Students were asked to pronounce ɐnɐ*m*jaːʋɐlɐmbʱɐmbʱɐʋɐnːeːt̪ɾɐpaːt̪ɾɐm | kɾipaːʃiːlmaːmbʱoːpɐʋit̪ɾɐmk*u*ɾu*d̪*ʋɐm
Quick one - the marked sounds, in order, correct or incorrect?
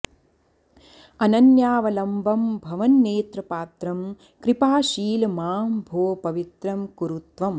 incorrect: n, correct, incorrect: t̪

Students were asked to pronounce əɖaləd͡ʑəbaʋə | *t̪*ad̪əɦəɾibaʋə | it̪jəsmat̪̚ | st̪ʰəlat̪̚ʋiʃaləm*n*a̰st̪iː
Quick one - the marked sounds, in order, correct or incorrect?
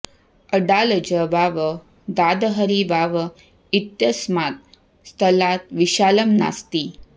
incorrect: d̪, correct

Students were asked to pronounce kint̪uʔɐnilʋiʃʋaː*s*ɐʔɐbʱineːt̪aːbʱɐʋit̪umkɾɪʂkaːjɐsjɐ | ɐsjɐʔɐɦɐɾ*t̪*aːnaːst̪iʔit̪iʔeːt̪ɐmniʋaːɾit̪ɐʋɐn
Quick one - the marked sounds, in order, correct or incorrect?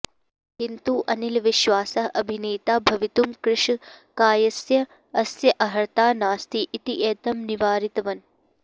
correct, correct

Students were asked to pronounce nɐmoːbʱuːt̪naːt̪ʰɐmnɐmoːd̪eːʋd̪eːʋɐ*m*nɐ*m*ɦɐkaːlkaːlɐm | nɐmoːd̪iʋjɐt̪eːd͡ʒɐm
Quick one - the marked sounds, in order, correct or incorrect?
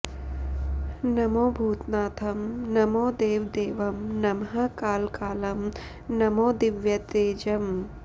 correct, correct

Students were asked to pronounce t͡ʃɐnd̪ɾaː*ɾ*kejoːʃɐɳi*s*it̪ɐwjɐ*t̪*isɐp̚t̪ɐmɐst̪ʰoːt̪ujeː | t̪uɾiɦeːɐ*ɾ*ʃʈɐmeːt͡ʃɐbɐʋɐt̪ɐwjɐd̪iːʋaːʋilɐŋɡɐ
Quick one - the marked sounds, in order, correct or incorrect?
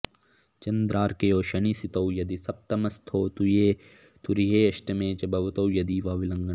correct, correct, incorrect: d̪, incorrect: none

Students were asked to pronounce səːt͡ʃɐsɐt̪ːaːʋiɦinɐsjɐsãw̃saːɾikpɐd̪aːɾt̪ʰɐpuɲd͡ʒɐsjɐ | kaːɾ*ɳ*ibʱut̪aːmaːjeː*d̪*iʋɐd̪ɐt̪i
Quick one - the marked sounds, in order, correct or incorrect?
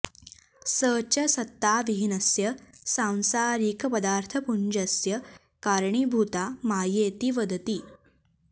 correct, incorrect: t̪

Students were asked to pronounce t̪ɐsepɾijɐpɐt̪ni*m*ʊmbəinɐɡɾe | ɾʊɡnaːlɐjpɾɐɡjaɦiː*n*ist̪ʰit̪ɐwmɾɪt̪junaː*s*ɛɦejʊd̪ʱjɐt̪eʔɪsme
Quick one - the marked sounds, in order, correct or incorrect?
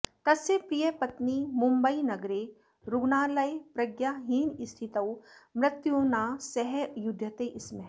correct, correct, correct

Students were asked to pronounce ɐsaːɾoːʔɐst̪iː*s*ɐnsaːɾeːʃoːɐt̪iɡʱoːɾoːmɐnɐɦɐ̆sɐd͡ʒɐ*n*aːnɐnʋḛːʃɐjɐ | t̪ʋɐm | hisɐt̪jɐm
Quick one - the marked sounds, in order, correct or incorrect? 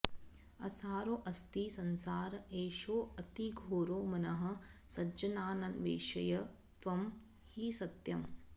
correct, correct

